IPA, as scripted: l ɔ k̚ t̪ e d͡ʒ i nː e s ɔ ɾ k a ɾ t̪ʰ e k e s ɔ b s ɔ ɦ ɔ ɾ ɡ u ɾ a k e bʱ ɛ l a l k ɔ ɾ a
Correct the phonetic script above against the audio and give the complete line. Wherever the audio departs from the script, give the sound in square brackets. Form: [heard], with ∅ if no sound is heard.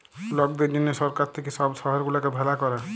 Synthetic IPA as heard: l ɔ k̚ [d̪] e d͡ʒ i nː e s ɔ ɾ k a ɾ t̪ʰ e k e s ɔ b s ɔ ɦ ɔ ɾ ɡ u [l] a k e bʱ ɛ l a [∅] k ɔ ɾ a

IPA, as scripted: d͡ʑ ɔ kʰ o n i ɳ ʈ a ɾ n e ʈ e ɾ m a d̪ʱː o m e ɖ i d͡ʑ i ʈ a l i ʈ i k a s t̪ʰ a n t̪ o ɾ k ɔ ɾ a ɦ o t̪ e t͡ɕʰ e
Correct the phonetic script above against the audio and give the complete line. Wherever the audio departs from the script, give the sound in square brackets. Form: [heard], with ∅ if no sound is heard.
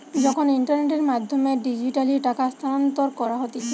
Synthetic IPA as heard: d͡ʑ ɔ kʰ o n i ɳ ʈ a ɾ n e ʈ e ɾ m a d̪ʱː o m e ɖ i d͡ʑ i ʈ a l i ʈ [a] k a s t̪ʰ a n t̪ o ɾ k ɔ ɾ a ɦ o t̪ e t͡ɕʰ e

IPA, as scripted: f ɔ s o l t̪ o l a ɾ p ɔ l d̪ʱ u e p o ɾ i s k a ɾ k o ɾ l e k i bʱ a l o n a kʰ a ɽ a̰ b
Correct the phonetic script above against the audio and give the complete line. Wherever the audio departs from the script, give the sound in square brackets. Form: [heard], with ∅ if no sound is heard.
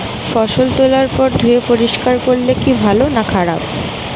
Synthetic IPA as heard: f ɔ [ʃ] o l t̪ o l a ɾ p ɔ [ɾ] d̪ʱ u e p o ɾ i [ʃ] k a ɾ k o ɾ l e k i bʱ a l o n a kʰ a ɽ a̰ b

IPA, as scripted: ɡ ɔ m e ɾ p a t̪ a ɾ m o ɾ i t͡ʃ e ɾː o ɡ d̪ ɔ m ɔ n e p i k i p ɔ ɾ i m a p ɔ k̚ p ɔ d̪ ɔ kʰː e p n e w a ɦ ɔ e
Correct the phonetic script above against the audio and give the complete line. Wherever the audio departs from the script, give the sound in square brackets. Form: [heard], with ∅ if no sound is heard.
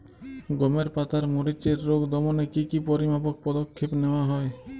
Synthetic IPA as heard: ɡ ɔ m e ɾ p a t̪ a ɾ m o ɾ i t͡ʃ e ɾː o ɡ d̪ ɔ m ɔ n e [k] i k i p ɔ ɾ i m a p ɔ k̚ p ɔ d̪ ɔ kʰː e p n e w a ɦ ɔ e

